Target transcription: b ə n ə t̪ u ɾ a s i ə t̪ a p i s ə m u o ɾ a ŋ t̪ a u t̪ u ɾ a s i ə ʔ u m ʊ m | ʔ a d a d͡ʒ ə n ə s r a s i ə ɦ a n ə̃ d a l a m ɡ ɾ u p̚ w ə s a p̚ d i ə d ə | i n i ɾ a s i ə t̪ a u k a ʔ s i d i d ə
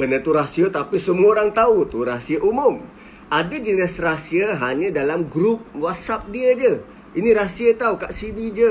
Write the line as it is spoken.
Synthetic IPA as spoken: b ə n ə t̪ u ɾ a s i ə t̪ a p i s ə m u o ɾ a ŋ t̪ a u t̪ u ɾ a s i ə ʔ u m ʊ m | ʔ a d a d͡ʒ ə n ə s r a s i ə ɦ a ɲ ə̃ d a l a m ɡ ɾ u p̚ w a s a p̚ d i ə d͡ʒ ə | i n i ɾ a s i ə t̪ a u k a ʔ s i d i d͡ʒ ə